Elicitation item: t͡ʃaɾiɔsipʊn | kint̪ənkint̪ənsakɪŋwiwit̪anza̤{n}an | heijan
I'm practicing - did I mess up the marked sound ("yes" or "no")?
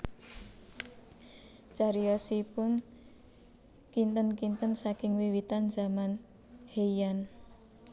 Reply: yes